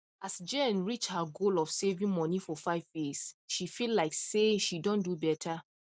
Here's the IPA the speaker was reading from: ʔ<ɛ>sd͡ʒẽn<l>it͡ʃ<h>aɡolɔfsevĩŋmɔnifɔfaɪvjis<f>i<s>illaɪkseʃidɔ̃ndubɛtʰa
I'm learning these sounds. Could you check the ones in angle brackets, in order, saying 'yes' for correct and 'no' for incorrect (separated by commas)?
no, no, yes, no, no